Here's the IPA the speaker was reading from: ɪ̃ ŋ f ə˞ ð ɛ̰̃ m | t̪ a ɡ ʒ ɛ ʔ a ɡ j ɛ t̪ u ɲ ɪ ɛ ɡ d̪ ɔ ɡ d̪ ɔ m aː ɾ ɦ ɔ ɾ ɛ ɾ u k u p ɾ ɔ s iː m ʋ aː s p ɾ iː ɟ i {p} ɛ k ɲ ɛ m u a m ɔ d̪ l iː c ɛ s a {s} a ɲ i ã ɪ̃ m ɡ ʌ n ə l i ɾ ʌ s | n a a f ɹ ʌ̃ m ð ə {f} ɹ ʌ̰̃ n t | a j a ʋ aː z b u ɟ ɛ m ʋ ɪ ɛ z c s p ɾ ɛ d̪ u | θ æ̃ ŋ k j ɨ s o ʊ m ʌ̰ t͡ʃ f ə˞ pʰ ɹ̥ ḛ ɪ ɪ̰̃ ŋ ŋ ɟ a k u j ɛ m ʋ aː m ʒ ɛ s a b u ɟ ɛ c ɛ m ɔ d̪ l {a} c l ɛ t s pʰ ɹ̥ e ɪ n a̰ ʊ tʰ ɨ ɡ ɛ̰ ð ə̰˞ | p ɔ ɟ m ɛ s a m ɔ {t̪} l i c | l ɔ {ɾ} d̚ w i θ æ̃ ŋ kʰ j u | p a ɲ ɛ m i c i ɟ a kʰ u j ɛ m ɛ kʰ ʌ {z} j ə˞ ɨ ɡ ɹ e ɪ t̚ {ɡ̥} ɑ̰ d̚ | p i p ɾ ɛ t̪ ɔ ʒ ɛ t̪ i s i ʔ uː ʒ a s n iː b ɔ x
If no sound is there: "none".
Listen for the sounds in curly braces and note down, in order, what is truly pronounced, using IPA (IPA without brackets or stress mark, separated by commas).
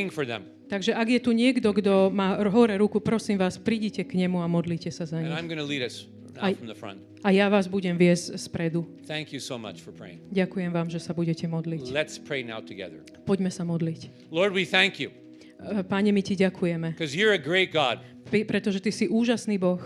c, z, f, i, d̪, ɹ, z, ɡ̥